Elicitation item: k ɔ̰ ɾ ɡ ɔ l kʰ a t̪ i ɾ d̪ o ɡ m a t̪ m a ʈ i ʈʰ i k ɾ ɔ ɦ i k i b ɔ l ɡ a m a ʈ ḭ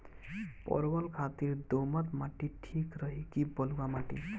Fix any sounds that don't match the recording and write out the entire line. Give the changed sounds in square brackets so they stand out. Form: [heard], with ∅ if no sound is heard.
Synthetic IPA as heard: [p] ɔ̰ ɾ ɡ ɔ l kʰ a t̪ i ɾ d̪ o [∅] m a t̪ m a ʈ i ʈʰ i k ɾ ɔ ɦ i k i b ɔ l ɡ a m a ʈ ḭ